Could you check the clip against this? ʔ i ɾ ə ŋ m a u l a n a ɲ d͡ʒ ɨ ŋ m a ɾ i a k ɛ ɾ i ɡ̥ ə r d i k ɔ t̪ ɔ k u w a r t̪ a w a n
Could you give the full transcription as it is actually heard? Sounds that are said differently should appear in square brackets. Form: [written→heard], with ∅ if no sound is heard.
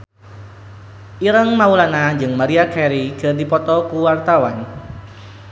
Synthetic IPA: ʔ i ɾ ə ŋ m a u l a n a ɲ d͡ʒ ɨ ŋ m a ɾ i a k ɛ ɾ i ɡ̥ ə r d i [k→p] ɔ t̪ ɔ k u w a r t̪ a w a n